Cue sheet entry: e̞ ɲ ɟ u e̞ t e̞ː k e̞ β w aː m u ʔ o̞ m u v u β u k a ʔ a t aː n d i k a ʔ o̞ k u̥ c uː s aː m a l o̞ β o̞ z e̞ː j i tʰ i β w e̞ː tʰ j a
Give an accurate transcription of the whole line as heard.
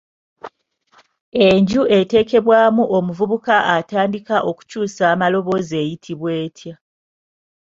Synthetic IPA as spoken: e̞ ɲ ɟ u e̞ t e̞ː k e̞ β w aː m u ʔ o̞ m u v u β u k a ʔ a t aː n d i k a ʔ o̞ k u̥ c uː s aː m a l o̞ β o̞ z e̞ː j i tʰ i β w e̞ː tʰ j a